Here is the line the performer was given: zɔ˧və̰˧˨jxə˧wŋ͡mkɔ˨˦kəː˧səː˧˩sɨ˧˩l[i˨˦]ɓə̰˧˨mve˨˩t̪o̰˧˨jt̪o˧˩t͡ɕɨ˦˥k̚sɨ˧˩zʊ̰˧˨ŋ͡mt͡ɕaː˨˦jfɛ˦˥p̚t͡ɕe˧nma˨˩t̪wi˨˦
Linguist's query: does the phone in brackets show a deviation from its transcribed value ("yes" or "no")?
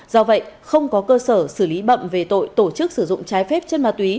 no